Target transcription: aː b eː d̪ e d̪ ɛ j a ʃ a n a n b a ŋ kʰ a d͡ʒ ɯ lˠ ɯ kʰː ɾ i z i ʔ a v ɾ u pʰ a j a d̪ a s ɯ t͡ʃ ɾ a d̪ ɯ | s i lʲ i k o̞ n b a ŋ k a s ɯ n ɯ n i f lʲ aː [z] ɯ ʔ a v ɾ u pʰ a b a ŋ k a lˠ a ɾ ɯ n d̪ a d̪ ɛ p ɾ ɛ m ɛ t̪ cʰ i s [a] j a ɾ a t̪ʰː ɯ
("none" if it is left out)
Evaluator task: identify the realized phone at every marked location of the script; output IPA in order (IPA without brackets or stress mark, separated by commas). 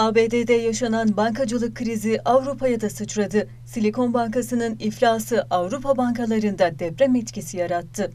s, i